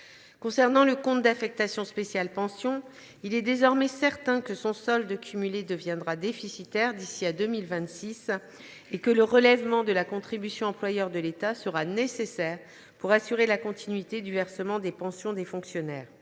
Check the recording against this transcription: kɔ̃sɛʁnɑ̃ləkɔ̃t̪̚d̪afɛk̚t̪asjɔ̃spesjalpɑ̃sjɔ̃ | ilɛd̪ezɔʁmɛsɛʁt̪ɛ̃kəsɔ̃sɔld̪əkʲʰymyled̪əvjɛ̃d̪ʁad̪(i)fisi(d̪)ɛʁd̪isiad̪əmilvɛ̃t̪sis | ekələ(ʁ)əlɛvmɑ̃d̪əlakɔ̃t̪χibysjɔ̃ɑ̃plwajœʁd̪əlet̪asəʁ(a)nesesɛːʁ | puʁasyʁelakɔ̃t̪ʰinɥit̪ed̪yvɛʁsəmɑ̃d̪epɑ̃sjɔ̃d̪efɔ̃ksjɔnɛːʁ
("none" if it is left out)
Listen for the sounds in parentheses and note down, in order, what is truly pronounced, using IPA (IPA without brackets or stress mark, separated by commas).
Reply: e, t̪, ʁ, a